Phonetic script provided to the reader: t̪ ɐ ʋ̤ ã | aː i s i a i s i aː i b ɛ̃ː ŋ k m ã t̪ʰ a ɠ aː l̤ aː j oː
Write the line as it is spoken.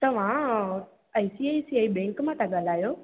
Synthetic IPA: t̪ ɐ ʋ̤ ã | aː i s i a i s i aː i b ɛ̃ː ŋ k m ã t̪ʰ a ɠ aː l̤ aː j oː